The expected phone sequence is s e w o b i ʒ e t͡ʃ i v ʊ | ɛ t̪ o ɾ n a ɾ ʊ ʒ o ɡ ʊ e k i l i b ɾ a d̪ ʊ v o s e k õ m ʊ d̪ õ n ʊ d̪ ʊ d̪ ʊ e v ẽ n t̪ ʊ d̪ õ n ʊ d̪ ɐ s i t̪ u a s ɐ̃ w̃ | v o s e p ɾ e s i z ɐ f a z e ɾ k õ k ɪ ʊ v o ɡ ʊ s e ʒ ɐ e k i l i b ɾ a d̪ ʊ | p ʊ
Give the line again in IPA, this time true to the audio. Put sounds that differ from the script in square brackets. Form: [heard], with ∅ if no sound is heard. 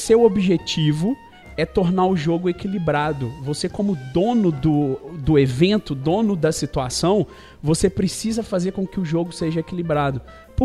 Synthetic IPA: s e w o b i ʒ e t͡ʃ i v ʊ | ɛ t̪ o ɾ n a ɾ ʊ ʒ o ɡ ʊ e k i l i b ɾ a d̪ ʊ v o s e k õ m ʊ d̪ õ n ʊ d̪ ʊ d̪ ʊ e v ẽ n t̪ ʊ d̪ õ n ʊ d̪ ɐ s i t̪ u a s ɐ̃ w̃ | v o s e p ɾ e s i z ɐ f a z e ɾ k õ k ɪ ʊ [ʒ] o ɡ ʊ s e ʒ ɐ e k i l i b ɾ a d̪ ʊ | p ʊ